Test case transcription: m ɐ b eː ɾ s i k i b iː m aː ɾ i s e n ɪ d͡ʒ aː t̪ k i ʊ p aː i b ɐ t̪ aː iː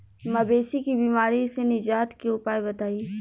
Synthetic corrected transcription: m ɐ b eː s i k i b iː m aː ɾ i s e n ɪ d͡ʒ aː t̪ k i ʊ p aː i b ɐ t̪ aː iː